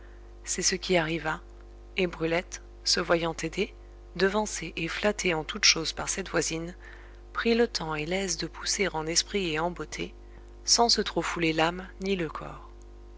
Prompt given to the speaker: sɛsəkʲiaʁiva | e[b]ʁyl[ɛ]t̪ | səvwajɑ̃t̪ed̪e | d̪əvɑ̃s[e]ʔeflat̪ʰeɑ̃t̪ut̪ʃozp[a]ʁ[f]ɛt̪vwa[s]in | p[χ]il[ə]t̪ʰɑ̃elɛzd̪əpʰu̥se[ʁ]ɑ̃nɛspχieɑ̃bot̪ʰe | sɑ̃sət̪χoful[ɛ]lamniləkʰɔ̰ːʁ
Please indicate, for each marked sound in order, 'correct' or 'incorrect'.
correct, correct, correct, correct, incorrect, incorrect, correct, correct, correct, incorrect

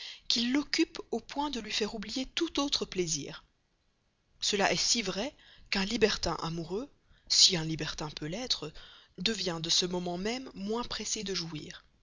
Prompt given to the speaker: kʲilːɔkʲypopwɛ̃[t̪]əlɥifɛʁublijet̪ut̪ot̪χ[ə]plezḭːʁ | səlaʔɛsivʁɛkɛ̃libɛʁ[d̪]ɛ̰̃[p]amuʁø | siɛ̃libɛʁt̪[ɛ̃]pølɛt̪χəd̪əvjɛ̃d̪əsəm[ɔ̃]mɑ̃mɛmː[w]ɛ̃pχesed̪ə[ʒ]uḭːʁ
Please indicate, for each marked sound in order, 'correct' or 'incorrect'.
incorrect, correct, incorrect, incorrect, correct, incorrect, correct, correct

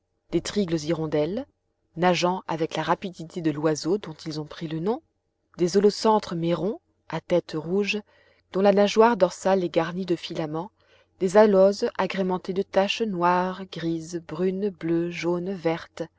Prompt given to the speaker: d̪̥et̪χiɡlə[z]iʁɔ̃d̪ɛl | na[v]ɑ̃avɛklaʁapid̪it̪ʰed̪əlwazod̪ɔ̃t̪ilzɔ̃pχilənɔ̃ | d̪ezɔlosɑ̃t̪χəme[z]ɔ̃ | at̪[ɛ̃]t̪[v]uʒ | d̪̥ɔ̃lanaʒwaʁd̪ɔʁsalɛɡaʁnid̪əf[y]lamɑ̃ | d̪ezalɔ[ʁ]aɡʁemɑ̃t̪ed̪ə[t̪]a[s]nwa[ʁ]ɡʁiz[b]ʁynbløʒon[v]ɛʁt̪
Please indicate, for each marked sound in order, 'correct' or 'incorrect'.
correct, incorrect, incorrect, incorrect, incorrect, incorrect, incorrect, correct, incorrect, correct, correct, correct

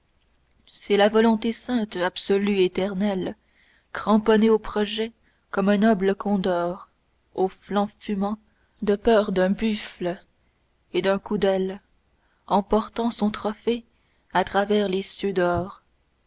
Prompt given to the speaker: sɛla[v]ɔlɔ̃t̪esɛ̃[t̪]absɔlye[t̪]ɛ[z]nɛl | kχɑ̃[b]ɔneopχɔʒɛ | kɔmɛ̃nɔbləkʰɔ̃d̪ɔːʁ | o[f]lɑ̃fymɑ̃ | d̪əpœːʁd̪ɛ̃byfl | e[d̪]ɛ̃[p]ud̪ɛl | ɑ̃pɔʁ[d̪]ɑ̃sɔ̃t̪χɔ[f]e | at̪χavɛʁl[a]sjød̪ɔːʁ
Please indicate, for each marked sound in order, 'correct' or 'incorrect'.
correct, correct, correct, incorrect, incorrect, correct, correct, incorrect, incorrect, correct, incorrect

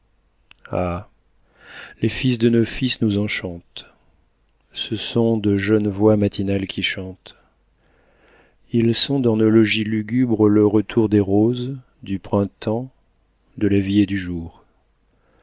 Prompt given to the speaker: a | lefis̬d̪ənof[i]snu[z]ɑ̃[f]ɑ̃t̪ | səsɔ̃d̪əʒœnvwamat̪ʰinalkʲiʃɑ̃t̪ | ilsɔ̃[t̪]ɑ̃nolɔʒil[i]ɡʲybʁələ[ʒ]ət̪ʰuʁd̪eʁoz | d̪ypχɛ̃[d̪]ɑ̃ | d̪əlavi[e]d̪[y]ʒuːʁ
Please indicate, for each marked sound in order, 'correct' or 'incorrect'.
correct, correct, incorrect, incorrect, incorrect, incorrect, incorrect, correct, correct

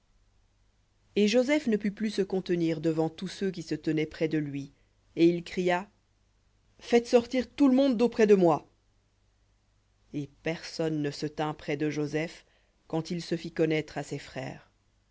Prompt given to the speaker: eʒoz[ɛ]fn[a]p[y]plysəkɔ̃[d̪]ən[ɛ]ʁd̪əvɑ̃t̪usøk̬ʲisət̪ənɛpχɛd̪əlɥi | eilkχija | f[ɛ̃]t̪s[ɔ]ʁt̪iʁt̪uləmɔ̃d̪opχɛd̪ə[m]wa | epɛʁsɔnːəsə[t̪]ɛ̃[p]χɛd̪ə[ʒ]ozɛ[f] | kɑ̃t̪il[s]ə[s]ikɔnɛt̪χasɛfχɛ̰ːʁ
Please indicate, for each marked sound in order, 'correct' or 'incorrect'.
correct, incorrect, correct, incorrect, incorrect, incorrect, correct, correct, correct, correct, correct, correct, correct, incorrect

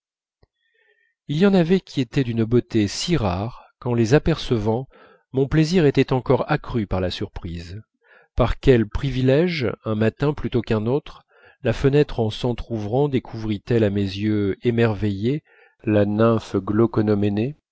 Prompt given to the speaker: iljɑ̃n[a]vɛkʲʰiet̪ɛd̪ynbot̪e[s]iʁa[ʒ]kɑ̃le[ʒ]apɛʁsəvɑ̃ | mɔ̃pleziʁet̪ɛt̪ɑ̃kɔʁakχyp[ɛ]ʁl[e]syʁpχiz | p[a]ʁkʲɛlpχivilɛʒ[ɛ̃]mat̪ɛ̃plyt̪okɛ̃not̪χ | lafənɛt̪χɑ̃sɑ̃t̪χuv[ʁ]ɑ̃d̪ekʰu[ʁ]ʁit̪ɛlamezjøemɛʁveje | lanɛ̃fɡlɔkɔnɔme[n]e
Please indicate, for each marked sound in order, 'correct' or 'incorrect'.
correct, correct, incorrect, incorrect, incorrect, incorrect, correct, correct, correct, incorrect, correct

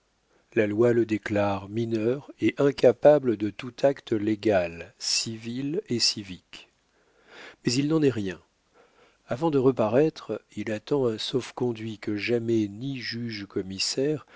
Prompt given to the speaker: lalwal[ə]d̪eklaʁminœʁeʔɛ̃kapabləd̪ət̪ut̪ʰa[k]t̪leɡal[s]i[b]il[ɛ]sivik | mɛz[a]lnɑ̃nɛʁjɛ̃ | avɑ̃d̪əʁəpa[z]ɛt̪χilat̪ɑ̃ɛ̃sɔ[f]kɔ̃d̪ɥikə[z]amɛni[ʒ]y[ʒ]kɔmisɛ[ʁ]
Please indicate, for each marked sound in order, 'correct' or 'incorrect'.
correct, correct, correct, incorrect, incorrect, incorrect, incorrect, correct, incorrect, correct, correct, correct

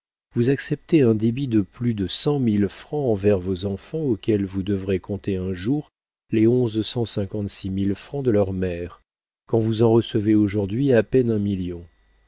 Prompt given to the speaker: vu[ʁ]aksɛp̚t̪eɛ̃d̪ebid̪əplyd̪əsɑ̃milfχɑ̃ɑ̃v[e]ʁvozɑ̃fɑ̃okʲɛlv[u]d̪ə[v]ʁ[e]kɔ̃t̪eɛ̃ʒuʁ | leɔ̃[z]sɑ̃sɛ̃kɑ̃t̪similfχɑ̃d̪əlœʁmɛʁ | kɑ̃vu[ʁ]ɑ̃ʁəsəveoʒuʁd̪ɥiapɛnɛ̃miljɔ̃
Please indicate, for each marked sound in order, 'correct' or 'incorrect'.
incorrect, incorrect, correct, correct, correct, correct, incorrect

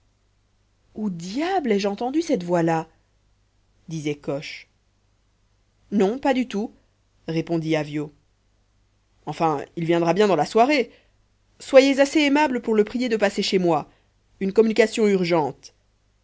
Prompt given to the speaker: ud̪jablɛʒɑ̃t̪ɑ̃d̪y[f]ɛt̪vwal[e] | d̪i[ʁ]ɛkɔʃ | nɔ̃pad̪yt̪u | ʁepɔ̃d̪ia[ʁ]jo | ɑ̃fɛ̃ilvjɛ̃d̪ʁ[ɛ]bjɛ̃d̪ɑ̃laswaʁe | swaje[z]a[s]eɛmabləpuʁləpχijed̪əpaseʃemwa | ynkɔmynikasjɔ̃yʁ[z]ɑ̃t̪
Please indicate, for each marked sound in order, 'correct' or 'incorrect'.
incorrect, incorrect, incorrect, incorrect, incorrect, correct, correct, incorrect

